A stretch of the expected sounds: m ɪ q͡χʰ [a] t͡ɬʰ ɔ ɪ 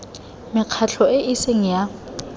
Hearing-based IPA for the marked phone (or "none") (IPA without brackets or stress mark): a